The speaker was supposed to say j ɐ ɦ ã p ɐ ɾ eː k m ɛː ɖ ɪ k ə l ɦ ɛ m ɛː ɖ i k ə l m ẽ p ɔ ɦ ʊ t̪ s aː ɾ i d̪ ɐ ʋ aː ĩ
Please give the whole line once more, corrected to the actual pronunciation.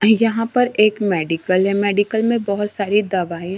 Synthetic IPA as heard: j ɐ ɦ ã p ɐ ɾ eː k m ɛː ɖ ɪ k ə l ɦ ɛ m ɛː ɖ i k ə l m ẽ b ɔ ɦ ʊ t̪ s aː ɾ i d̪ ɐ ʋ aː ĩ